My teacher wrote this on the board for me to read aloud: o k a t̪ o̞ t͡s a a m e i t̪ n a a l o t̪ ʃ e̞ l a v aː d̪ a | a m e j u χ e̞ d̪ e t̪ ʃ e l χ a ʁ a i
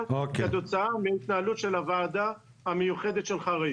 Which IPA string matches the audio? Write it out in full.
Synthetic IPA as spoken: o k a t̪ o̞ t͡s a a m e i t̪ n a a l u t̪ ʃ e̞ l a v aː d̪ a | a m e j u χ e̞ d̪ e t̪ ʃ e l χ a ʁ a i